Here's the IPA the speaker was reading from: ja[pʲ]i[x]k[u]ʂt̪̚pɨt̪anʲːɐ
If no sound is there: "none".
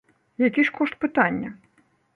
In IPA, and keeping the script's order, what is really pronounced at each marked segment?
kʲ, ʂ, ɔ

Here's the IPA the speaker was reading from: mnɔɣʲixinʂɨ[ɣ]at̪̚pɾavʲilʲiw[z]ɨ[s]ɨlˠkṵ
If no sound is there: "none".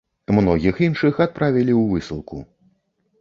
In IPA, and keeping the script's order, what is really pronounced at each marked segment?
x, v, s

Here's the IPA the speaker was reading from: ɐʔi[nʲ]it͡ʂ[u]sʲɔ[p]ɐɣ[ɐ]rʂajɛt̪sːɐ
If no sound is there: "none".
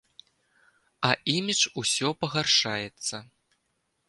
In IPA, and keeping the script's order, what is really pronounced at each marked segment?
mʲ, u, p, a

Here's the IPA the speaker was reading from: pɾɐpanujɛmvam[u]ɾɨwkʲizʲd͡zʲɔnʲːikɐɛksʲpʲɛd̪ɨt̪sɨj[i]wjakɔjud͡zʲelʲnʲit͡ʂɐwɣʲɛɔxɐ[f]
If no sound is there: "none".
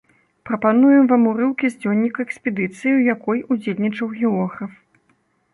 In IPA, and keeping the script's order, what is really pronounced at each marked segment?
u, i, f

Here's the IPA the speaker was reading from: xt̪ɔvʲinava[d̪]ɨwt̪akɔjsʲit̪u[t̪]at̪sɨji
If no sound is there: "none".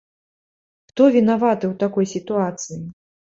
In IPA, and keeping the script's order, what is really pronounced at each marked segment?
t̪, none

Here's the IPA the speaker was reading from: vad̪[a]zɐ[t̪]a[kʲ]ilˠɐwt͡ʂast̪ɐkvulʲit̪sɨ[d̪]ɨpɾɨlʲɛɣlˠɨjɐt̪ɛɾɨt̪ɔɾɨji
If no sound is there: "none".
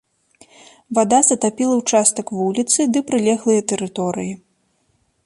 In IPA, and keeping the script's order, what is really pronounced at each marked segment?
a, t̪, pʲ, d̪

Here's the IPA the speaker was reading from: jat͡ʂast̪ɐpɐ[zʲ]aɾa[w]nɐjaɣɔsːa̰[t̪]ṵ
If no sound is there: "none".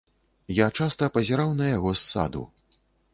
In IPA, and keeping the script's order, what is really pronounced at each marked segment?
zʲ, w, d̪

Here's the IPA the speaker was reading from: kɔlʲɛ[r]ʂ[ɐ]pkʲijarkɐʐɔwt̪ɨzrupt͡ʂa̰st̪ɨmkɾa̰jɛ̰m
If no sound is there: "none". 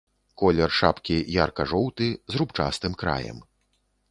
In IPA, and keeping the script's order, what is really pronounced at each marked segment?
r, a

